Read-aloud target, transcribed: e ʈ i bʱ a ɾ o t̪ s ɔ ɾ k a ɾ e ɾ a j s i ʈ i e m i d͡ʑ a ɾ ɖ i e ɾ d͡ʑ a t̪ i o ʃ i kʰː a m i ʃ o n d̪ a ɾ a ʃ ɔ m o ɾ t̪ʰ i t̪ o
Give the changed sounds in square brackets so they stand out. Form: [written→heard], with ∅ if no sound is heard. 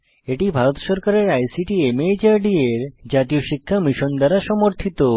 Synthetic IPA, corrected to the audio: e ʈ i bʱ a ɾ o t̪ [s→ʃ] ɔ ɾ k a ɾ e ɾ a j s i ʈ i e m [i→e] d͡ʑ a ɾ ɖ i e ɾ d͡ʑ a t̪ i o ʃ i kʰː a m i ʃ o n d̪ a ɾ a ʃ ɔ m o ɾ t̪ʰ i t̪ o